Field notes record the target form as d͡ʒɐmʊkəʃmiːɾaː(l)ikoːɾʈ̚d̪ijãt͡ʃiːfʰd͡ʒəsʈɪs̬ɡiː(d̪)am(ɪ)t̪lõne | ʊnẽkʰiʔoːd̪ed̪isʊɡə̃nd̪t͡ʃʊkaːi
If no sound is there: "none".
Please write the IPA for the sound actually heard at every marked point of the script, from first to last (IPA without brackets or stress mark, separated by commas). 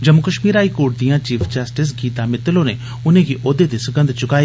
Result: none, t̪, ɪ